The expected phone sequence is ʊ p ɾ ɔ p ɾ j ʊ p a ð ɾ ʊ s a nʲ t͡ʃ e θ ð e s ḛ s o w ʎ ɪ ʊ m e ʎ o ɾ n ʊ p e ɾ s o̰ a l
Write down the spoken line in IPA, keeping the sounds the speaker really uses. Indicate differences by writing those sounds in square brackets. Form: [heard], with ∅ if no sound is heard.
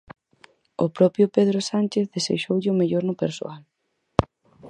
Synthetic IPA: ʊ p ɾ ɔ p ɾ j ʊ p [e] ð ɾ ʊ s a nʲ t͡ʃ e θ ð e s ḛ [ʃ] o w ʎ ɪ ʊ m e ʎ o ɾ n ʊ p e ɾ s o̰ a l